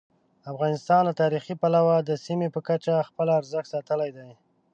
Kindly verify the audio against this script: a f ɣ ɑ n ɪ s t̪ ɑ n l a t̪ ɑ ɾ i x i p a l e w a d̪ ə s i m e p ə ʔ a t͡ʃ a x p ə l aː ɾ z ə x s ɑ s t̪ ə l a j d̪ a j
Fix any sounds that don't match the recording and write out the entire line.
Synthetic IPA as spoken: a f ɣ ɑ n ɪ s t̪ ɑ n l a t̪ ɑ ɾ i x i p a l a w a d̪ ə s i m e p ə k a t͡ʃ a x p ə l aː ɾ z ə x s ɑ t̪ ə l a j d̪ a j